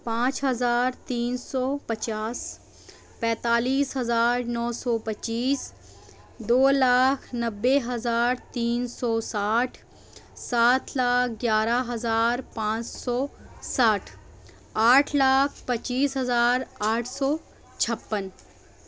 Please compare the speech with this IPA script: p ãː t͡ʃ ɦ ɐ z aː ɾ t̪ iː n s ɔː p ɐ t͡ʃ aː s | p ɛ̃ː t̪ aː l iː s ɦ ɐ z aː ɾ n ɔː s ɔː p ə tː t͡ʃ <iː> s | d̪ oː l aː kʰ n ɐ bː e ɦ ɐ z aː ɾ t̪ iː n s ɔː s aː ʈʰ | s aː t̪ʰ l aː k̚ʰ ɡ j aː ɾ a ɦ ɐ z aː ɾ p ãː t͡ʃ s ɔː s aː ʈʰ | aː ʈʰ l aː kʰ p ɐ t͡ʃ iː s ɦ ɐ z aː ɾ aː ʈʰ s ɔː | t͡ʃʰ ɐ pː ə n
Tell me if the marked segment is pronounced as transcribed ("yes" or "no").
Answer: yes